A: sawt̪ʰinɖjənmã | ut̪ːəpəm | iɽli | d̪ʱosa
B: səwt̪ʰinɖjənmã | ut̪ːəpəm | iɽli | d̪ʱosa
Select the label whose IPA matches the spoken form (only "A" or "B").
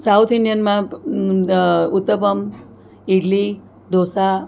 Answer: A